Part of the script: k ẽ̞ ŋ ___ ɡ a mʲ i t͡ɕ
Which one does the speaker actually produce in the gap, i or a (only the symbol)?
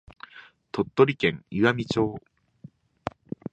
i